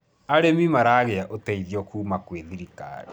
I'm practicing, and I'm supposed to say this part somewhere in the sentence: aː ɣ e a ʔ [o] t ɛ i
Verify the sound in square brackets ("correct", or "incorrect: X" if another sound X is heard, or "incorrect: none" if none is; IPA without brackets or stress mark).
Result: correct